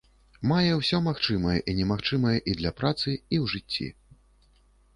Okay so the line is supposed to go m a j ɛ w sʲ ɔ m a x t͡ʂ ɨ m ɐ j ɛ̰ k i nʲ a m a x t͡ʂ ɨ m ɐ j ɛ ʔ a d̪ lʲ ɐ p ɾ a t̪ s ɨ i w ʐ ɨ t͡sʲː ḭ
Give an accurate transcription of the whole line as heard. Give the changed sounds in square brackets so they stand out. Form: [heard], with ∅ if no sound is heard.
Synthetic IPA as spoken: m a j ɛ w sʲ ɔ m a x t͡ʂ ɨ m ɐ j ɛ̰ [ʔ] i nʲ [ɛ] m a x t͡ʂ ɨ m ɐ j ɛ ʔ [i] d̪ lʲ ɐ p ɾ a t̪ s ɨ i w ʐ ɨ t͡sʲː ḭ